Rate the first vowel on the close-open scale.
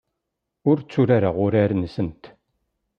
close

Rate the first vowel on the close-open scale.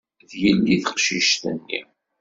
mid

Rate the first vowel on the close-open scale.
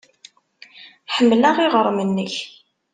mid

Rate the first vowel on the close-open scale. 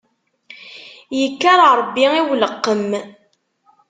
mid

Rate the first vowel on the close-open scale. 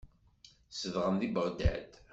mid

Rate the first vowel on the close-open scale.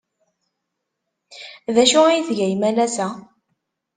open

